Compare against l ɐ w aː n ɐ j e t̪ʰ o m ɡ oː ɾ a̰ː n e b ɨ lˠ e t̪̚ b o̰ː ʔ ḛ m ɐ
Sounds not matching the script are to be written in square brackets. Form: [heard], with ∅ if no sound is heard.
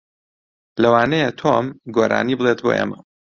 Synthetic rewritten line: l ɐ w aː n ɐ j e t̪ʰ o m ɡ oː ɾ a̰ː n [i] b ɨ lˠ e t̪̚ b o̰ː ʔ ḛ m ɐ